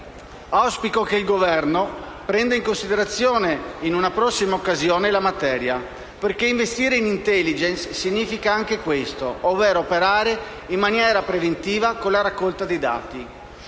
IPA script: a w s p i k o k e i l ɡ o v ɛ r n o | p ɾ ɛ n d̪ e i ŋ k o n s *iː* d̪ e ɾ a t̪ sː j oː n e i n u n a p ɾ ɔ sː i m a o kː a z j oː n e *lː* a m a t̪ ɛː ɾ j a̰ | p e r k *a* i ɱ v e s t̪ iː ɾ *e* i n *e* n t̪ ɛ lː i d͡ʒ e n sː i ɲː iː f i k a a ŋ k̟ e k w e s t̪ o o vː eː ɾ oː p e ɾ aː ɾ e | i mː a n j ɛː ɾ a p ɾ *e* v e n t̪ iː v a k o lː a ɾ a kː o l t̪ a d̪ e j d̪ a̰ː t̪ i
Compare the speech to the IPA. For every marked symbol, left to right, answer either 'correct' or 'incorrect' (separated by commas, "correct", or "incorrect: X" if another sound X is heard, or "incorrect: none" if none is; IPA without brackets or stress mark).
incorrect: i, incorrect: l, incorrect: e, correct, incorrect: i, correct